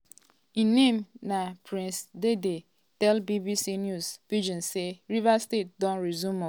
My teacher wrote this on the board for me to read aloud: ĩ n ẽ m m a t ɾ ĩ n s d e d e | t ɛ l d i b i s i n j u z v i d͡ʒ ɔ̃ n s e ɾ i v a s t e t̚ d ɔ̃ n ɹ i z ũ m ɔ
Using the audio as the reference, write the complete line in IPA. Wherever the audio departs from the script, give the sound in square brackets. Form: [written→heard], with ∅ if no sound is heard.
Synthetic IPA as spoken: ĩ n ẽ m [m→n] a [t→p] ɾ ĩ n s d e d e | t ɛ l [d→b] i b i s i n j u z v i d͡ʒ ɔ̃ n s e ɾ i v a s t e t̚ d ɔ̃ n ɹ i z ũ m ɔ